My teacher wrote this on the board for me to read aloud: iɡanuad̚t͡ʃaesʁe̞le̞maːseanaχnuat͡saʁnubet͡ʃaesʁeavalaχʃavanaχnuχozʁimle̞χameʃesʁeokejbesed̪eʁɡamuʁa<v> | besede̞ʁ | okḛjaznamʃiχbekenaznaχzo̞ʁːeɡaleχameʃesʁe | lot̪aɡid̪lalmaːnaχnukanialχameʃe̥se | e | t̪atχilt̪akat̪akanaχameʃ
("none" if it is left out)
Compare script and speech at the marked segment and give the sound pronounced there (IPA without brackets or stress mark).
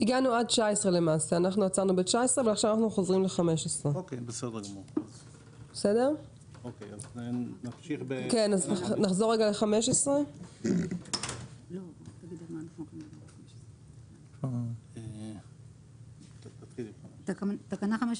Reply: z